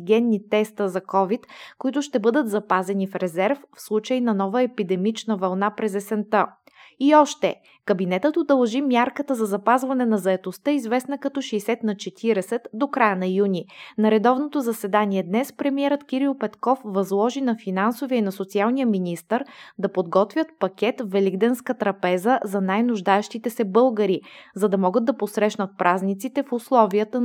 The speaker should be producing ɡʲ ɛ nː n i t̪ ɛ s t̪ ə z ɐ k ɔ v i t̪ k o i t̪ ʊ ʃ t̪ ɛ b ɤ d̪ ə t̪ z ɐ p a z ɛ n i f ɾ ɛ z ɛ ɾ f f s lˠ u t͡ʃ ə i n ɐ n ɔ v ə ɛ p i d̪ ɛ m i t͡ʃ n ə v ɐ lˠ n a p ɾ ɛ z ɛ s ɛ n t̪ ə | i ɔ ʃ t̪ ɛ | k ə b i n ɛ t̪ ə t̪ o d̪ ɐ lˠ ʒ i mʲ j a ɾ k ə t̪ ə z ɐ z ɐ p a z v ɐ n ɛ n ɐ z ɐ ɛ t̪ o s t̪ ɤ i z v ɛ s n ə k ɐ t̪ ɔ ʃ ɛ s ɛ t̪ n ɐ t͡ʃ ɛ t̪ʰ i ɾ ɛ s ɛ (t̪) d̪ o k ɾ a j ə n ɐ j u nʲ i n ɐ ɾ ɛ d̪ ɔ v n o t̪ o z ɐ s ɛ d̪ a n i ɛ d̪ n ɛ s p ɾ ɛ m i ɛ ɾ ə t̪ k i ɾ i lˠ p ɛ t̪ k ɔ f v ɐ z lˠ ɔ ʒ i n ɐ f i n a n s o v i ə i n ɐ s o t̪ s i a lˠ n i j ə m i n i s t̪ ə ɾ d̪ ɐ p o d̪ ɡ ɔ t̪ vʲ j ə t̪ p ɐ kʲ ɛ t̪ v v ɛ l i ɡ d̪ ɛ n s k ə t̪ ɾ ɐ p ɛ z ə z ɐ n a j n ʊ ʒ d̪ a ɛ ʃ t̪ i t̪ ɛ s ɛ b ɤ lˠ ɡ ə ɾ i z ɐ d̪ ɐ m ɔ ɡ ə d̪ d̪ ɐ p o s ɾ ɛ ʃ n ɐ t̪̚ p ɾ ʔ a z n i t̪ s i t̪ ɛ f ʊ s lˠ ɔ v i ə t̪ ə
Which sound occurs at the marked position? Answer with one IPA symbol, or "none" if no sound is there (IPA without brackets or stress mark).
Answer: t̪